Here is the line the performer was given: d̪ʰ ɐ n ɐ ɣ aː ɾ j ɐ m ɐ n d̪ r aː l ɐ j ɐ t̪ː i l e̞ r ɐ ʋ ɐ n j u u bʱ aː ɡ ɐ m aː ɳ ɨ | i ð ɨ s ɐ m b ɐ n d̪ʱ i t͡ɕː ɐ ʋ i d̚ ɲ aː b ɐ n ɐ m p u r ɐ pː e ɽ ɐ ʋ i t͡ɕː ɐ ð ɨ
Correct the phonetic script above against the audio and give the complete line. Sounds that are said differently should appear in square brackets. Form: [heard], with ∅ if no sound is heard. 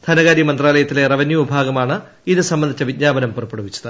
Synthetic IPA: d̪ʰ ɐ n ɐ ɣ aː ɾ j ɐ m ɐ n d̪ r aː l ɐ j ɐ t̪ː i l e̞ r ɐ ʋ ɐ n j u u bʱ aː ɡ ɐ m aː ɳ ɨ | i ð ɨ s ɐ m b ɐ n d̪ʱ i t͡ɕː ɐ ʋ i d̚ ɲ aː b ɐ n ɐ m p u r ɐ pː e ɽ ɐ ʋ i t͡ɕː ɐ ð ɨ